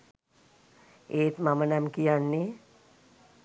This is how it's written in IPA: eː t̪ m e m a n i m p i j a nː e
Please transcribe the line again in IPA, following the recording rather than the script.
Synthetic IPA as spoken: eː t̪ m a m ə n a m k i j a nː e